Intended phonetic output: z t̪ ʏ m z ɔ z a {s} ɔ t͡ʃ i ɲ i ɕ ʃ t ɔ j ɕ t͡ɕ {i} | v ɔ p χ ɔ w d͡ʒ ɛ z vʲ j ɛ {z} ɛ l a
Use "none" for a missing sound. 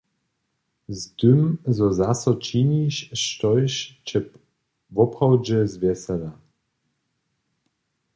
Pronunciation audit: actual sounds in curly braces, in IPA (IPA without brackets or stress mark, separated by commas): s, ɛ, s